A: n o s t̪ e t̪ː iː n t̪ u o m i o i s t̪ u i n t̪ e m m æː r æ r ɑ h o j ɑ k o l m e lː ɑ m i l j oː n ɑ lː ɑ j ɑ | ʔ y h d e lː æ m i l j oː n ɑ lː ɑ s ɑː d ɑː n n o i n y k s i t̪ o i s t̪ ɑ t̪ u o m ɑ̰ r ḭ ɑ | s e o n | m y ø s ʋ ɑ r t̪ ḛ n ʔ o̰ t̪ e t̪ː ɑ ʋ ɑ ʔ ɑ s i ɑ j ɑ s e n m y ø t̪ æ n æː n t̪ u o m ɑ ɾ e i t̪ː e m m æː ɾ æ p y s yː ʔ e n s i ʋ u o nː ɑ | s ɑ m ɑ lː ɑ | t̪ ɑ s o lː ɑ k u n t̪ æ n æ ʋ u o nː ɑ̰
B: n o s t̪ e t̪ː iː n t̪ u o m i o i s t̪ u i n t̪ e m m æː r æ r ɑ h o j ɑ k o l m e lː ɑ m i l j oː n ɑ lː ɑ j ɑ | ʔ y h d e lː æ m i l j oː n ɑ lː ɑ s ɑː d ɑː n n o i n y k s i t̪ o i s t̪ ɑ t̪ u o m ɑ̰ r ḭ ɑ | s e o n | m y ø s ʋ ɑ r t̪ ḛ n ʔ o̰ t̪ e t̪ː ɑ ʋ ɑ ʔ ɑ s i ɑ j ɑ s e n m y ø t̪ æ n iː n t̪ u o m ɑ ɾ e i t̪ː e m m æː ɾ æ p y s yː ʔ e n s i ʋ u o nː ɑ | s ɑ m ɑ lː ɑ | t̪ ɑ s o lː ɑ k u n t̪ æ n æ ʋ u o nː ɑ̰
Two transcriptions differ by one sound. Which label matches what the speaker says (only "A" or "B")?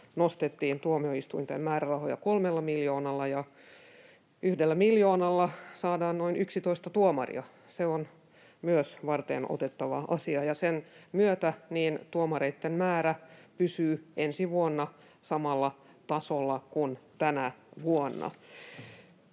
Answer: B